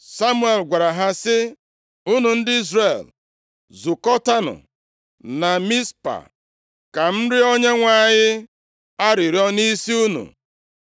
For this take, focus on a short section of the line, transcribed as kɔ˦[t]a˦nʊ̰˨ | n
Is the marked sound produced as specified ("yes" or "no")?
yes